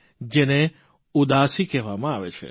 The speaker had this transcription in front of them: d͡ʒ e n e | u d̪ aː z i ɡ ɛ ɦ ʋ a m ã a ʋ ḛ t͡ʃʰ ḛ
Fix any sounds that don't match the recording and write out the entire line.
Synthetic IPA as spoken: d͡ʒ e n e | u d̪ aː s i k ɛ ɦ ʋ a m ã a ʋ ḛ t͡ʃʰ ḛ